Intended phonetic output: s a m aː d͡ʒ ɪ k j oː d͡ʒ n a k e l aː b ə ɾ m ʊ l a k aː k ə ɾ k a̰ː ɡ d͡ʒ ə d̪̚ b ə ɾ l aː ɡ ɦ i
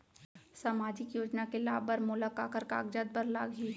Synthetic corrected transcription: s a m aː d͡ʒ ɪ k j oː d͡ʒ n a k e l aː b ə ɾ m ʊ l a k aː k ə ɾ k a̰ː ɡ d͡ʒ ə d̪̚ b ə ɾ l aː ɡ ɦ i